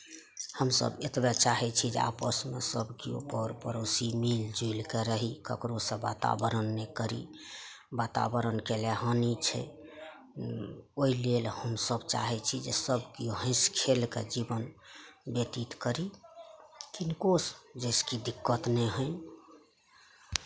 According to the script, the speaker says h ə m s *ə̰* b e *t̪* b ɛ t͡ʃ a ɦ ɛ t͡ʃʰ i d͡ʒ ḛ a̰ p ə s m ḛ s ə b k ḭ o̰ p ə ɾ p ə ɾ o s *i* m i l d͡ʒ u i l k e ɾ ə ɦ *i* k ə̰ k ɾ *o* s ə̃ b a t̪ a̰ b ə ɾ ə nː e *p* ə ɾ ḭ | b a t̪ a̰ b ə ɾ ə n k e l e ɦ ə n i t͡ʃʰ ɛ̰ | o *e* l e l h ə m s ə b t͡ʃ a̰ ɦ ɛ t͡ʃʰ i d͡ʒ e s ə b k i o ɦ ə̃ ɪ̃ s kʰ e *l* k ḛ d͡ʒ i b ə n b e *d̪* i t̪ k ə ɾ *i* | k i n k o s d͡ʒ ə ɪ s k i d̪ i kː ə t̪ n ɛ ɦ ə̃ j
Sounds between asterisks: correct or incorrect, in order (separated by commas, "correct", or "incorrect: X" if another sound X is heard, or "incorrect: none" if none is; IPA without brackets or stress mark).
correct, correct, correct, correct, correct, incorrect: k, incorrect: i, correct, incorrect: t̪, correct